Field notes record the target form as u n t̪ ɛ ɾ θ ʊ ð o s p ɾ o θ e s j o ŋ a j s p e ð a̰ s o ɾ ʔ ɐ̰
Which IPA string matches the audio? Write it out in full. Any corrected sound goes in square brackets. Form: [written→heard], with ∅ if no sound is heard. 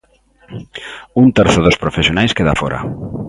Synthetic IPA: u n t̪ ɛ ɾ θ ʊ ð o s p ɾ o [θ→f] e s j o [ŋ→n] a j s [p→k] e ð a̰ [s→f] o ɾ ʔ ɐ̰